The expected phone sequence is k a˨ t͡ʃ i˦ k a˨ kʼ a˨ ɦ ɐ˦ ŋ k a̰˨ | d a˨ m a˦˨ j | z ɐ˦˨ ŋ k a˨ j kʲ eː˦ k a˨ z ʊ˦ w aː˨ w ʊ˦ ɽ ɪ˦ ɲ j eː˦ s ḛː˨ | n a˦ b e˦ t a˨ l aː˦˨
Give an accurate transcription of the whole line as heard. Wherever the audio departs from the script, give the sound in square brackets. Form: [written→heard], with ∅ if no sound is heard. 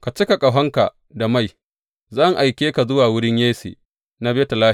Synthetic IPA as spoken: k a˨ t͡ʃ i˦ k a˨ kʼ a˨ ɦ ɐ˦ ŋ k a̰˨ | d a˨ m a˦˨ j | z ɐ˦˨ ŋ [k→ʔ] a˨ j kʲ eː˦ k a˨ z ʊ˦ w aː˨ w ʊ˦ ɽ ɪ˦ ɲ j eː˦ s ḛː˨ | n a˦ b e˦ t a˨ l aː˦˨